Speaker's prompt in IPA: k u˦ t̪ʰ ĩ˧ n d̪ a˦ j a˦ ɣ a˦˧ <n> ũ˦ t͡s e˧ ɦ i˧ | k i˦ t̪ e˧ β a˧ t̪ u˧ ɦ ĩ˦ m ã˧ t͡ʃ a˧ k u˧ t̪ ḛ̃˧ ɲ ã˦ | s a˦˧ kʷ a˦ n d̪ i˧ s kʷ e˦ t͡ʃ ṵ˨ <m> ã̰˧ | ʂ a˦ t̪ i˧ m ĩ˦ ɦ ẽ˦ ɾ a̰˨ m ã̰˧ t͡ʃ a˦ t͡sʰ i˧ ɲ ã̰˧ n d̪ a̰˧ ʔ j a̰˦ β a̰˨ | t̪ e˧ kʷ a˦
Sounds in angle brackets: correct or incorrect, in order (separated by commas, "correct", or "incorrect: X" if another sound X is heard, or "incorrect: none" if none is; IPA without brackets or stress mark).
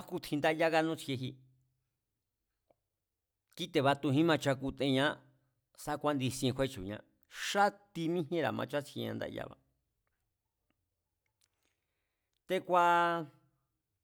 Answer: correct, incorrect: ɲ